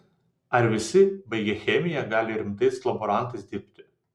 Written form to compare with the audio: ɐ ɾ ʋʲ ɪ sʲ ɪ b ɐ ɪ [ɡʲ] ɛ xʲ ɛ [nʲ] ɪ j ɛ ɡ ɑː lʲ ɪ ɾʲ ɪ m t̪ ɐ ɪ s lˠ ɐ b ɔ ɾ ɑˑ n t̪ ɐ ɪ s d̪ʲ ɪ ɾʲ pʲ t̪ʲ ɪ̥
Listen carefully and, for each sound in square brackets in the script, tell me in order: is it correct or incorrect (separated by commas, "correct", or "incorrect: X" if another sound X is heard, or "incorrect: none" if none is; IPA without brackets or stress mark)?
correct, incorrect: mʲ